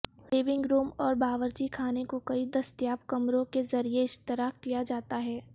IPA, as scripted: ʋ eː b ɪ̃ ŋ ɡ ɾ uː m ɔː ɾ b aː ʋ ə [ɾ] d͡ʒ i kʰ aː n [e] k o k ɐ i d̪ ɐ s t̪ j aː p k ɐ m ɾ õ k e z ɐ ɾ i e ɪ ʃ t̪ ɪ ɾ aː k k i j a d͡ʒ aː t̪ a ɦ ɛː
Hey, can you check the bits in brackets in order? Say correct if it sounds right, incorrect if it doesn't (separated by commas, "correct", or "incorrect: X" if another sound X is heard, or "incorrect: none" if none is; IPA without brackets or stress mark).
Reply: correct, correct